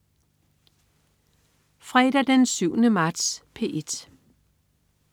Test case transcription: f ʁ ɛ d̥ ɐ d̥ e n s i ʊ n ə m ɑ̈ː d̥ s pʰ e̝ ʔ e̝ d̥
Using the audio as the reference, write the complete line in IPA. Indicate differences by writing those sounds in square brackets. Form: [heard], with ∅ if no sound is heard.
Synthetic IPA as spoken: f ʁ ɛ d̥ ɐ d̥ e n s [y] ʊ n ə m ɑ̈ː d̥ s pʰ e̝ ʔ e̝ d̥